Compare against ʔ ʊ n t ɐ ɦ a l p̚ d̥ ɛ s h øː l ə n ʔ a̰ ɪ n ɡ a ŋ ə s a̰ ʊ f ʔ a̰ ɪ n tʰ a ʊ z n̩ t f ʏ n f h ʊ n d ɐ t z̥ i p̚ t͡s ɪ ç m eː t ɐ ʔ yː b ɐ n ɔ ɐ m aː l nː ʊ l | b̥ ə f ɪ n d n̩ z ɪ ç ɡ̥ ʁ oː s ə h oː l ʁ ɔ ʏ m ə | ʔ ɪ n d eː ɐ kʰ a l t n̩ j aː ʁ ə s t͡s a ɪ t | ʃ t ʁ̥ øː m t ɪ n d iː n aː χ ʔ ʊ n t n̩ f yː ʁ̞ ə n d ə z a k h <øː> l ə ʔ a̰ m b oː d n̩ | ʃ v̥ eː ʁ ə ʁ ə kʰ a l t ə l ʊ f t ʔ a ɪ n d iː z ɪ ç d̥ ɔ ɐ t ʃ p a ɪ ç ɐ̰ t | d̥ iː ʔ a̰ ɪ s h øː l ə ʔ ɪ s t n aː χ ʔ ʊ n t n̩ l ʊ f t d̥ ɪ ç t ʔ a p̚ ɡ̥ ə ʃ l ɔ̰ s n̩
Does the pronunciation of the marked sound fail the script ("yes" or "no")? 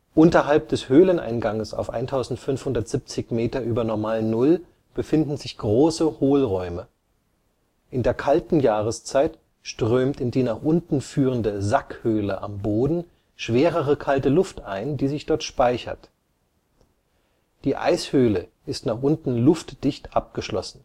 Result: no